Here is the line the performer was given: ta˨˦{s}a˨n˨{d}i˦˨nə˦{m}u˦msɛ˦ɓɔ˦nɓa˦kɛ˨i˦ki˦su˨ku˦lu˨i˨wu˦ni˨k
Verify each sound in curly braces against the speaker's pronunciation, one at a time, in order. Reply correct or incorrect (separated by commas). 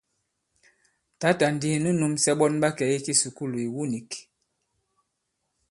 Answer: incorrect, correct, incorrect